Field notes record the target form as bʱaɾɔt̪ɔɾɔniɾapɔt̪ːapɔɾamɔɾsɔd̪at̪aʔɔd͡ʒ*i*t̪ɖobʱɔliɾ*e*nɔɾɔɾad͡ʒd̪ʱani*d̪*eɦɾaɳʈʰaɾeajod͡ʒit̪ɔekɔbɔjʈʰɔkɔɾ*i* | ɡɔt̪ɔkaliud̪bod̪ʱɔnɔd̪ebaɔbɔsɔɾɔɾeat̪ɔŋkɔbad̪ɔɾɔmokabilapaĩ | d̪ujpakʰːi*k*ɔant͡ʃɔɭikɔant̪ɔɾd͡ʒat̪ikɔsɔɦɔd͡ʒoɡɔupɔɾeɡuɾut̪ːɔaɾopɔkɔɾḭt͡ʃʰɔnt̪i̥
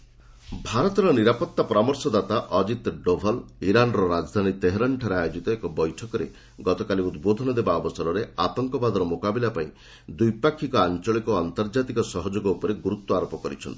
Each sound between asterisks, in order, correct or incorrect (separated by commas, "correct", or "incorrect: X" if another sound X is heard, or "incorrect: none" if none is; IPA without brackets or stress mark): correct, incorrect: a, incorrect: t̪, incorrect: e, correct